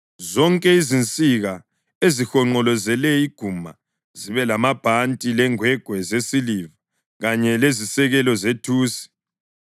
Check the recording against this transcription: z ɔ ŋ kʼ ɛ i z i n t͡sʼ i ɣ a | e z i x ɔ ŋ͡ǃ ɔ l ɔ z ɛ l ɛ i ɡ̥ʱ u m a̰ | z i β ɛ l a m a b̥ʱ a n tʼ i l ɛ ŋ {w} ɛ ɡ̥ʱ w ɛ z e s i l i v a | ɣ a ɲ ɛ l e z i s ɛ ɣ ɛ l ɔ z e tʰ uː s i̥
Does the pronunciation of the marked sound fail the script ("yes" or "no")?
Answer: no